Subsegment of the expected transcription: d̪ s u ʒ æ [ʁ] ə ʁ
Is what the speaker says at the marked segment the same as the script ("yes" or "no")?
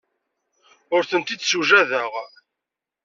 no